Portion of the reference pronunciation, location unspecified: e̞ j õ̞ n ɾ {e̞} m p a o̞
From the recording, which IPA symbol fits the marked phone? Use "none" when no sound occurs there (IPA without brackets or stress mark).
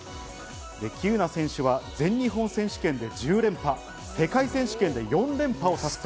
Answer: ẽ̞